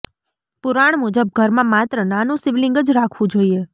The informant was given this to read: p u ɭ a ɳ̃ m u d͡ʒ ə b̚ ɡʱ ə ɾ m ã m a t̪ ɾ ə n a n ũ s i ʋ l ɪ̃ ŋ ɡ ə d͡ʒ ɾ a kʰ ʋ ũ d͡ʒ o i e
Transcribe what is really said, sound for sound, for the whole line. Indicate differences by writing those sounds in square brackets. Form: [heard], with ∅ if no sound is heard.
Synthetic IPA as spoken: p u [ɾ] a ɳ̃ m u d͡ʒ ə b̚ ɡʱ ə ɾ m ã m a t̪ ɾ ə n a n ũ s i ʋ l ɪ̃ ŋ ɡ ə d͡ʒ ɾ a kʰ ʋ ũ d͡ʒ o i e